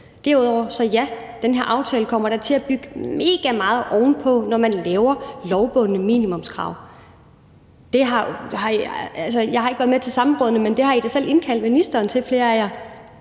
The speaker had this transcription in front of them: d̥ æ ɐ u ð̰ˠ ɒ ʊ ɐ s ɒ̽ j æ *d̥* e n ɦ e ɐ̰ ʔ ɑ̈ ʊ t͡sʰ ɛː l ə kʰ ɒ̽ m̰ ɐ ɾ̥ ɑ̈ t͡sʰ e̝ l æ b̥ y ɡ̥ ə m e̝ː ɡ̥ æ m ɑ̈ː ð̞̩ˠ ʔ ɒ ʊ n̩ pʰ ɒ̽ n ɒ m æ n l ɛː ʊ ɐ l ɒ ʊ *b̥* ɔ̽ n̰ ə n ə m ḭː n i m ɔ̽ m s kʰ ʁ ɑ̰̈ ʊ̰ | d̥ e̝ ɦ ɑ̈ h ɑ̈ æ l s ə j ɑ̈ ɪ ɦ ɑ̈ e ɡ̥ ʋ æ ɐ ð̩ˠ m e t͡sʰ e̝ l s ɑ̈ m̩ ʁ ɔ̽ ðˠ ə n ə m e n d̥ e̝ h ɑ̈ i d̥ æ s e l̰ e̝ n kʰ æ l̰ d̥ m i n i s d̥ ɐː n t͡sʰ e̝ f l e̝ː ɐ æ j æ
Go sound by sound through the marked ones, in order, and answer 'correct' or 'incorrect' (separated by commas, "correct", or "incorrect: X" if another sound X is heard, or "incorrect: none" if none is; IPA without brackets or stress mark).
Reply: correct, correct